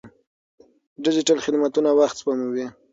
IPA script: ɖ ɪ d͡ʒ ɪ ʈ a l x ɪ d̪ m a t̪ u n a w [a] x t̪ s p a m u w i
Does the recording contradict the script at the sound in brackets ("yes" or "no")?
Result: no